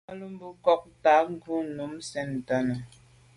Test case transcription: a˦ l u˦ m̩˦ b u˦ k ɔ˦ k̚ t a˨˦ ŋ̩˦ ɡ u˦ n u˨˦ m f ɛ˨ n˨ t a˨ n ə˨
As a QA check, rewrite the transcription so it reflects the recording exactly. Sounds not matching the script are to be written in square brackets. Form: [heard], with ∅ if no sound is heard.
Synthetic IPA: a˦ l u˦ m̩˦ b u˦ k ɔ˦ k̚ t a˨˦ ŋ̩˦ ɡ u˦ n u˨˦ m [s] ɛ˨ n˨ t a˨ n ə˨